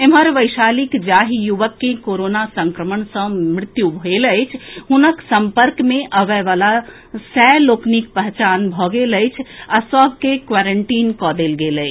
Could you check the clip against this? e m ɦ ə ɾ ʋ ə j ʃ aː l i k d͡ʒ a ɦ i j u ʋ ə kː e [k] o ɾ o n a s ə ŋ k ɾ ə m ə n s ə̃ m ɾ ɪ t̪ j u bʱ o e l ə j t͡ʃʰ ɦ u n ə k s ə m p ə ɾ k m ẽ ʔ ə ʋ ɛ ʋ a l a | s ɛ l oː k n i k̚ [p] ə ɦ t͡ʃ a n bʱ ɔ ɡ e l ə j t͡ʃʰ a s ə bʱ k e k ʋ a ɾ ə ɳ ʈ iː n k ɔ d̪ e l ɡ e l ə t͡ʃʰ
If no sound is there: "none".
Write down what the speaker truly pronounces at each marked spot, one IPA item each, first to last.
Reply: k, p

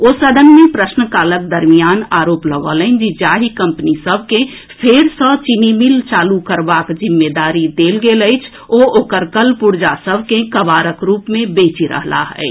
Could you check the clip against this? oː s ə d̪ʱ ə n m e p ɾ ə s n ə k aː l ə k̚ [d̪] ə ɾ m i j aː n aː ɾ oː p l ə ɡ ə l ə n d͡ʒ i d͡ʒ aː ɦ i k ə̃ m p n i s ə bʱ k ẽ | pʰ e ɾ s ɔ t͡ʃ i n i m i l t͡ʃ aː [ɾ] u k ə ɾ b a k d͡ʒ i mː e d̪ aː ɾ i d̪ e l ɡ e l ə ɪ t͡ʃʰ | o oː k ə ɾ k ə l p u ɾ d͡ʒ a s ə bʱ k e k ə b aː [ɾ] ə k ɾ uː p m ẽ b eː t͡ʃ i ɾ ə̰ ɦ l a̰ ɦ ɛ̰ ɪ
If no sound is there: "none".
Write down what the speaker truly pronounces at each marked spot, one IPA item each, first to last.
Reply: d̪, l, ɾ

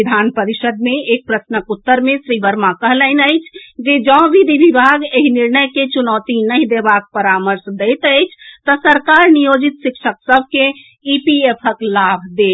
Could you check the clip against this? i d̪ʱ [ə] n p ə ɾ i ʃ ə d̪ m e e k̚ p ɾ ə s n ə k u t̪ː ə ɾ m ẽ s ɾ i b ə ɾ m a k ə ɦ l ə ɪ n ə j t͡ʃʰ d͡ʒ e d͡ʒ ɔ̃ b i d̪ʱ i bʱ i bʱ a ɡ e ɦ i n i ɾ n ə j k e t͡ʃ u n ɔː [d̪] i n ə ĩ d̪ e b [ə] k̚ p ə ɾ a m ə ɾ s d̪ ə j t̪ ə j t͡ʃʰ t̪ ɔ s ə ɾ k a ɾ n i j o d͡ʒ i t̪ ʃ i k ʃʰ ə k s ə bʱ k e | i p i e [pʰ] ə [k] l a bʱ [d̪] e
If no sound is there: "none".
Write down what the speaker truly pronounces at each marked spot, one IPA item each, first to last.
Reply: a, t̪, a, pʰ, k, d̪

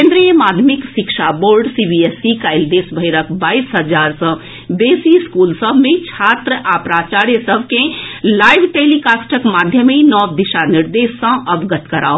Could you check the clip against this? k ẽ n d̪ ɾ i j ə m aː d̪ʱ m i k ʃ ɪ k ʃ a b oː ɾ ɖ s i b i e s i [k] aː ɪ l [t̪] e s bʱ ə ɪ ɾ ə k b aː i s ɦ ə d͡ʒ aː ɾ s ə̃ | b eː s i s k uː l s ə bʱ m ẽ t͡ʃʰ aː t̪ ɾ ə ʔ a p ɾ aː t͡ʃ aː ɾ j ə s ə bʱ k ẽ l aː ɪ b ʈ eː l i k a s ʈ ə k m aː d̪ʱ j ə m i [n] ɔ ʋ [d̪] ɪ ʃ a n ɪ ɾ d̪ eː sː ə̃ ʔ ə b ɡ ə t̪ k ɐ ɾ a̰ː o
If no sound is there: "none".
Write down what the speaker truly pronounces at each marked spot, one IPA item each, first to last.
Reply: k, d̪, n, d̪

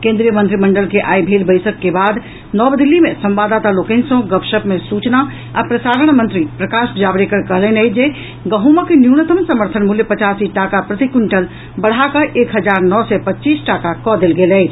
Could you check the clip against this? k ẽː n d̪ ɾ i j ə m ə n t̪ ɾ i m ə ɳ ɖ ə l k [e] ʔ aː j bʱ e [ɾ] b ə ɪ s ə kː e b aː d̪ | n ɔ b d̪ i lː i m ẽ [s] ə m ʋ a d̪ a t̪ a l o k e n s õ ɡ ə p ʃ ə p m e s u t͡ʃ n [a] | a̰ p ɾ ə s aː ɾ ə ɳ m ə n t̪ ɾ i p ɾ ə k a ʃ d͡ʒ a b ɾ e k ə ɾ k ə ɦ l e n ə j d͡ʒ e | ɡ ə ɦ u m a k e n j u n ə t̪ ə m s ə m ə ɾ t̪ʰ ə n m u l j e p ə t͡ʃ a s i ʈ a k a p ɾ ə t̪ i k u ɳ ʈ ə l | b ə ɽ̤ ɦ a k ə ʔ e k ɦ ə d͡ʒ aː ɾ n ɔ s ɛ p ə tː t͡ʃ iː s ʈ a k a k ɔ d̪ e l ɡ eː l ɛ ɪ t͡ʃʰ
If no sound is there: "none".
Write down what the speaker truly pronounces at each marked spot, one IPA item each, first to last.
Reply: e, l, s, a

